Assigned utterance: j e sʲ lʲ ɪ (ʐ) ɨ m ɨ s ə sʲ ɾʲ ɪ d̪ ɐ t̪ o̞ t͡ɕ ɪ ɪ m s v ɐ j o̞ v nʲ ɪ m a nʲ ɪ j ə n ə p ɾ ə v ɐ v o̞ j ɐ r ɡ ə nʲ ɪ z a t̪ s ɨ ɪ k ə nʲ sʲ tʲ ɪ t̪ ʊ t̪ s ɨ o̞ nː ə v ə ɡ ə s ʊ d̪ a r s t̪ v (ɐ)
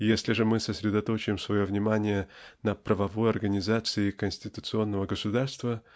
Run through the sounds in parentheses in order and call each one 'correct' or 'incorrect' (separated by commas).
correct, incorrect